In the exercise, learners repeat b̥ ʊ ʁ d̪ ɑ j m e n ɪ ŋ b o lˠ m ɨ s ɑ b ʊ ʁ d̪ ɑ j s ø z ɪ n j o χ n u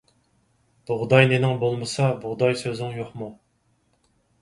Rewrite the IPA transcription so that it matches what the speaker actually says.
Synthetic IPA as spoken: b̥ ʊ ʁ d̪ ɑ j n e n ɪ ŋ b o lˠ m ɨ s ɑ b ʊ ʁ d̪ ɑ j s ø z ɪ ŋ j o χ m u